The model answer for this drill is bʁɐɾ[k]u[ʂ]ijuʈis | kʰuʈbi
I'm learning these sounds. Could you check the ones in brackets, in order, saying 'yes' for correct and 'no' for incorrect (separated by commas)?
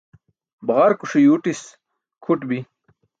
yes, yes